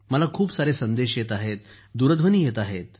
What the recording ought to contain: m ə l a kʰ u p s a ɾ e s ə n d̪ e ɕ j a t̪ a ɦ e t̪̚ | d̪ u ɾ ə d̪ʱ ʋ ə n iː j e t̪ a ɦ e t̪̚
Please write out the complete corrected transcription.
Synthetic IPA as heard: m ə l a kʰ uː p s a ɾ e s ə n d̪ e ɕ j e t̪ a ɦ e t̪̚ | d̪ u ɾ ə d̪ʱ ʋ ə n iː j e t̪ a ɦ e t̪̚